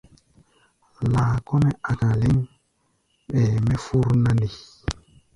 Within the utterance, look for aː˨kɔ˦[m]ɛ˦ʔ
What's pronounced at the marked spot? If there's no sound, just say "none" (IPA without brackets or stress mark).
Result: n